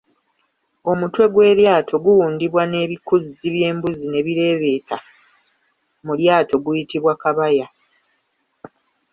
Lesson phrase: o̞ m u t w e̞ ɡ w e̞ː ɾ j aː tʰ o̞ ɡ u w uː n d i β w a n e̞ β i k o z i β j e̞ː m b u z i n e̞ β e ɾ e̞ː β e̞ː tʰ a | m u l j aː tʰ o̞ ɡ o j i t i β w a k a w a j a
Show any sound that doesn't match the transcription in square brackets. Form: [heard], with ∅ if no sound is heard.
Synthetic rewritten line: o̞ m u t w e̞ ɡ w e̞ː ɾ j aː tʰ o̞ ɡ u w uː n d i β w a n e̞ β i k [u] z i β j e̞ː m b u z i n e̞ β [i] ɾ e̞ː β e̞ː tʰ a | m u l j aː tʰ o̞ ɡ [u] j i t i β w a k a [β] a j a